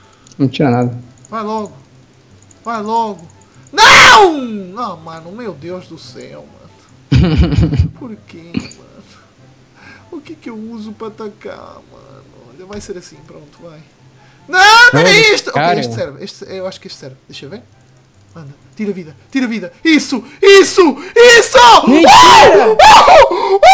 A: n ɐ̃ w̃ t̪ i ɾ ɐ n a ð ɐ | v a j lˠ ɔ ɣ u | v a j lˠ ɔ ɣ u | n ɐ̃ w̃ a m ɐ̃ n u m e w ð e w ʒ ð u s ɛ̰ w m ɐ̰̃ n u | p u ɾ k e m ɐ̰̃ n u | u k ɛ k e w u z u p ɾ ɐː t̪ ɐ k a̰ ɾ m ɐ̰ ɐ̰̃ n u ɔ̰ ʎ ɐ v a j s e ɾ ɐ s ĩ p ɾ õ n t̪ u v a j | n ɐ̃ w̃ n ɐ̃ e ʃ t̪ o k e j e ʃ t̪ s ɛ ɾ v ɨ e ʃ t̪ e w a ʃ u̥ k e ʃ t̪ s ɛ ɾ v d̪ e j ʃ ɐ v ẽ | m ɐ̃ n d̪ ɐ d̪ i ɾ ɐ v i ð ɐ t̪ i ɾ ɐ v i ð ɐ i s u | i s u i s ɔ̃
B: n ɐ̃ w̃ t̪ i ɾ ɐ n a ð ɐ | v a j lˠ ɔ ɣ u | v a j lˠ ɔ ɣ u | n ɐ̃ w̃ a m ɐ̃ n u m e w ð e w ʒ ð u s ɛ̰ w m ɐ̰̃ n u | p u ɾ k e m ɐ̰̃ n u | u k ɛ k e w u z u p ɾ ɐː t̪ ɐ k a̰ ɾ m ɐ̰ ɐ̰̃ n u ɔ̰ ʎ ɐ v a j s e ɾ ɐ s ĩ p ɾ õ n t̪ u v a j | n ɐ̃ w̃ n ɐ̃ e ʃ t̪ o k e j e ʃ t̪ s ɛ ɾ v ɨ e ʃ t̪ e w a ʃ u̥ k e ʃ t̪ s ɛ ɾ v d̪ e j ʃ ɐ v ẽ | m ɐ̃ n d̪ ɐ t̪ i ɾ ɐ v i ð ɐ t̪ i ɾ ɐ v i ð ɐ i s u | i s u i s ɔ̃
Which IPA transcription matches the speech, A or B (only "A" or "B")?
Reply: B